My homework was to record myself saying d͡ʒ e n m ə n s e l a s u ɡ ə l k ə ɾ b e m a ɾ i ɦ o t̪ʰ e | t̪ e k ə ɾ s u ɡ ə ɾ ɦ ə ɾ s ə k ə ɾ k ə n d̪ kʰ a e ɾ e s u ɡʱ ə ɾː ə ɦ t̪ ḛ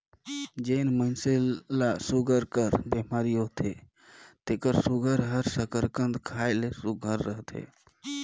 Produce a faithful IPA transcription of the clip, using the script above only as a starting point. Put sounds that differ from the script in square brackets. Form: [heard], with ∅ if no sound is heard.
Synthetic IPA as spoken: d͡ʒ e n m ə n s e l a s u ɡ ə [ɾ] k ə ɾ b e m a ɾ i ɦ o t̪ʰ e | t̪ e k ə ɾ s u ɡ ə ɾ ɦ ə ɾ s ə k ə ɾ k ə n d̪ kʰ a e [l] e s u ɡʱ ə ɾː ə ɦ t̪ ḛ